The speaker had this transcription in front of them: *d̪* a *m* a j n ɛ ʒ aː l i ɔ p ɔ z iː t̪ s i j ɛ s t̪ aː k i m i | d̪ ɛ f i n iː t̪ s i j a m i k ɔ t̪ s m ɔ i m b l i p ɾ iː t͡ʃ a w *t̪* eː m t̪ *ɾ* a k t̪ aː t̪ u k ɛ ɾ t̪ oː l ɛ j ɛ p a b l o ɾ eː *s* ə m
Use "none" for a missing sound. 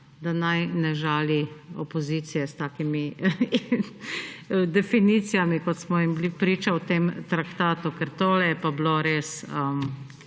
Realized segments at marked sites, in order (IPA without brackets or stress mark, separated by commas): d̪, n, t̪, ɾ, s